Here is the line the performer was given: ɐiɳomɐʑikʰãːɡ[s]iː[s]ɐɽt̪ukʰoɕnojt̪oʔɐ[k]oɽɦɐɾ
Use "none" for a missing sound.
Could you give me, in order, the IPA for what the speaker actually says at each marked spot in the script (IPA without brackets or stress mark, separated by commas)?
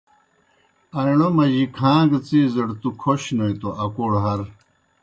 t͡s, z, k